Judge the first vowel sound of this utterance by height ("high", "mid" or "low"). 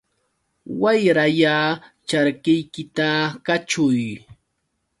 low